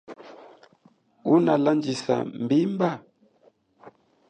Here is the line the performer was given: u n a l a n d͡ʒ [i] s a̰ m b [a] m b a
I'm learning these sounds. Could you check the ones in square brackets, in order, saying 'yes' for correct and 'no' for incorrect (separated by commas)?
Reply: yes, no